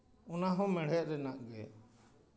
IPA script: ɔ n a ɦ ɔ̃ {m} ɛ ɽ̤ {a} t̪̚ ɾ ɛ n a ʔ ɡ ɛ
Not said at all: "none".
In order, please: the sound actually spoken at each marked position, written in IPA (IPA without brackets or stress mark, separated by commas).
m, ɛ